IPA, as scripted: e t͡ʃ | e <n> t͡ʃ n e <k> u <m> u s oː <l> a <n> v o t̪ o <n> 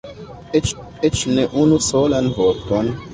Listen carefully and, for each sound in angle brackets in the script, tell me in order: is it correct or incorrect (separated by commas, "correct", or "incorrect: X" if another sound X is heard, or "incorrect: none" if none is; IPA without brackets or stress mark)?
incorrect: none, incorrect: ʔ, incorrect: n, correct, correct, correct